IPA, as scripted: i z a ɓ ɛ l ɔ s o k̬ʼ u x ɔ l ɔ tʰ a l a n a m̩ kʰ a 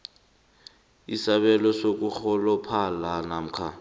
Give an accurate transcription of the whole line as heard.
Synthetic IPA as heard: i s a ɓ ɛ l ɔ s o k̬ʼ u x ɔ l ɔ pʰ a l a n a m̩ kʰ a

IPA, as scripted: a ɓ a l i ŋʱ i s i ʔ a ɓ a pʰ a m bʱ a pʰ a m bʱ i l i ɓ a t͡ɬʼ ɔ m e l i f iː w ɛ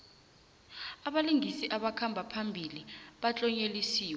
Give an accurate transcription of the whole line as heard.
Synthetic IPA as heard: a ɓ a l i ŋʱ i s i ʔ a ɓ a kʰ a m bʱ a pʰ a m bʱ i l i ɓ a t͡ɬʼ ɔ ɲ e l i s iː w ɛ

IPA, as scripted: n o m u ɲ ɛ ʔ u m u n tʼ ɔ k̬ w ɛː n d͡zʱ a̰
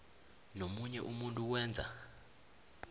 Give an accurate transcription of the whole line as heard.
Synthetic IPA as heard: n o m u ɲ ɛ ʔ u m u n tʼ u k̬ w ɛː n d͡zʱ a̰

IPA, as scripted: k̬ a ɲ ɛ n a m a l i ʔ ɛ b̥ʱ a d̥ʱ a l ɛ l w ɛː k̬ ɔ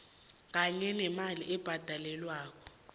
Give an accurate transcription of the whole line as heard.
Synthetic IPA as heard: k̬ a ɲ ɛ n ɛ m a l i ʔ ɛ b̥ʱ a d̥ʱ a l ɛ l w aː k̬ ɔ

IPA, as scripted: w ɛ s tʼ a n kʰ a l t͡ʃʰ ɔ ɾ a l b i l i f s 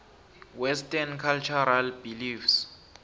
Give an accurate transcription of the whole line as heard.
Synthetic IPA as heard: w ɛ s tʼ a n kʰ a l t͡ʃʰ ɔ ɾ a l b i l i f s

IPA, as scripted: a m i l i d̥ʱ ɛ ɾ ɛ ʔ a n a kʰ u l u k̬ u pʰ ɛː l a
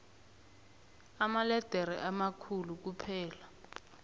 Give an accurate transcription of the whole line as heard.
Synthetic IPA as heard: a m a l ɛ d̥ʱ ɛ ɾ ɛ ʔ a m a kʰ u l u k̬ u pʰ ɛː l a

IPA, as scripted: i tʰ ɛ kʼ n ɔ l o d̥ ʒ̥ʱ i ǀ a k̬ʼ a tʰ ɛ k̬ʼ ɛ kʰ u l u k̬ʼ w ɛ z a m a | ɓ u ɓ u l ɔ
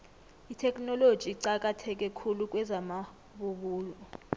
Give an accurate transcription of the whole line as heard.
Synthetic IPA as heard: i tʰ ɛ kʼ n ɔ l o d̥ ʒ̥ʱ i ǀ a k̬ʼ a tʰ ɛ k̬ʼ ɛ kʰ u l u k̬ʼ w ɛ z a m a | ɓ u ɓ uː l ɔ

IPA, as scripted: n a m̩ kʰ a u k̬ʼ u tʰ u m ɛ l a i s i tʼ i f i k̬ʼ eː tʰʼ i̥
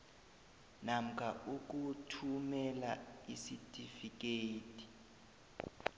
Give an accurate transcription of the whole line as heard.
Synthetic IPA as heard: n a m̩ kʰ a u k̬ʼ u tʰ u m ɛ l a i s i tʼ i f i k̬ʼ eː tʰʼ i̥

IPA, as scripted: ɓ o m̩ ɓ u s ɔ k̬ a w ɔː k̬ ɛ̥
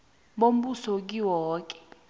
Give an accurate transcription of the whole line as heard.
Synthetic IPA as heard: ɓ o m̩ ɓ u s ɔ k̬ i w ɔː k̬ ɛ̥

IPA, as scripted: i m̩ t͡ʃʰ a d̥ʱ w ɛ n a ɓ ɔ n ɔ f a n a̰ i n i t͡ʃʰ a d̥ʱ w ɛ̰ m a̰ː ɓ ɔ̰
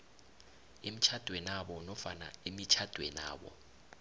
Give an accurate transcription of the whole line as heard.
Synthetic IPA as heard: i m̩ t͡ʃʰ a d̥ʱ w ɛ n a ɓ ɔ n ɔ f a n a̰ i m i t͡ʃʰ a d̥ʱ w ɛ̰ n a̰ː ɓ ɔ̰

